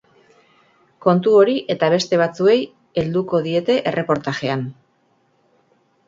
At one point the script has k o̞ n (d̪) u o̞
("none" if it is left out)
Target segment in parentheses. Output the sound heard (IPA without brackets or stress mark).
t̪